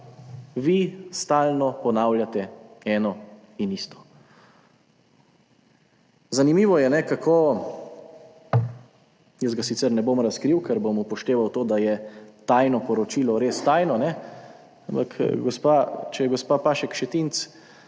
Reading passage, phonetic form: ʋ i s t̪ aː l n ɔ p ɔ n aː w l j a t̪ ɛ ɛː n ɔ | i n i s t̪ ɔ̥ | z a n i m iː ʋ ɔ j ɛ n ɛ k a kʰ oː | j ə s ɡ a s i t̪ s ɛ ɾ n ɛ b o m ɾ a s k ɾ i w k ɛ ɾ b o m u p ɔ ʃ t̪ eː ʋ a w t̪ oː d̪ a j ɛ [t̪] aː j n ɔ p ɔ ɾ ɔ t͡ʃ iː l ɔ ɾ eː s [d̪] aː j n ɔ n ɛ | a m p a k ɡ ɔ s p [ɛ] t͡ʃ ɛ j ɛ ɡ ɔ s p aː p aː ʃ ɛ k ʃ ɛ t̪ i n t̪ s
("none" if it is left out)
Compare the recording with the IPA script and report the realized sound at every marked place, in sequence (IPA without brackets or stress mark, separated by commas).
t̪, t̪, a